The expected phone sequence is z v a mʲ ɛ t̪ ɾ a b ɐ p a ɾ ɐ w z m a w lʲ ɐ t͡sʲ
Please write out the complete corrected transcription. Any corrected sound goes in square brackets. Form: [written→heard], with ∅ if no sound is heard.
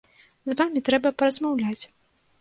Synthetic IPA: z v a mʲ [ɛ→i] t̪ ɾ [a→ɛ] b ɐ p [a→ɐ] ɾ ɐ [w→∅] z m a w lʲ [ɐ→a] t͡sʲ